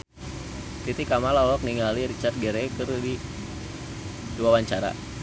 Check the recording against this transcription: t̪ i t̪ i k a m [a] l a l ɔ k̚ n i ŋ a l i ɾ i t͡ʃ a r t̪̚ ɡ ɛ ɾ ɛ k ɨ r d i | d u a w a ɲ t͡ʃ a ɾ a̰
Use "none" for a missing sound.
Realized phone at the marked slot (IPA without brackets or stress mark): a